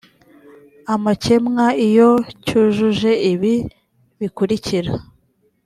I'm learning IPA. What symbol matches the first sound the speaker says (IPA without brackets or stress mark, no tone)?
a